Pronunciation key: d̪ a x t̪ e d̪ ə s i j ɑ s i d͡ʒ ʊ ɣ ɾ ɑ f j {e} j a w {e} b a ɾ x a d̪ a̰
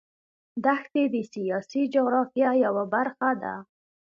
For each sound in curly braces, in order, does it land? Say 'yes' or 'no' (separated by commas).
no, no